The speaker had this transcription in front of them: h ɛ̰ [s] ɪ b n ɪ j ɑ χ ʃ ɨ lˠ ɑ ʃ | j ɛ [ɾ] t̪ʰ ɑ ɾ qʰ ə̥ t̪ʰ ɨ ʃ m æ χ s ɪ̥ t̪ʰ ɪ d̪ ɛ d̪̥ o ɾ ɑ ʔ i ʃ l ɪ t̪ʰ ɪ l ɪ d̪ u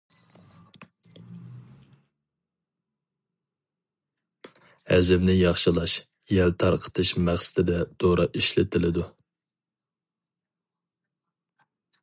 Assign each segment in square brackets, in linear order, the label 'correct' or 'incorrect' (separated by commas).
incorrect, incorrect